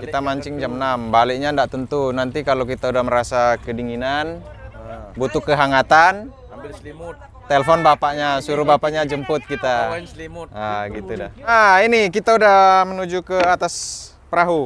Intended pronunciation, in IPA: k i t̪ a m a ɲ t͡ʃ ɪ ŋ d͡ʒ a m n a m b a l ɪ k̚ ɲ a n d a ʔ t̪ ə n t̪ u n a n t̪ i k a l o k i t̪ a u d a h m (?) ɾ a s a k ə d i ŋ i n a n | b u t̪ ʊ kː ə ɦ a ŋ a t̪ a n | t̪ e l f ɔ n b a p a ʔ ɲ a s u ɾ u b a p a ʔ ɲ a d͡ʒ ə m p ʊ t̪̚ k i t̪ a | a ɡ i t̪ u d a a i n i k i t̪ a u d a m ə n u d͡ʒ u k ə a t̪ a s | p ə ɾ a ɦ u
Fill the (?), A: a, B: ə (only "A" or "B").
B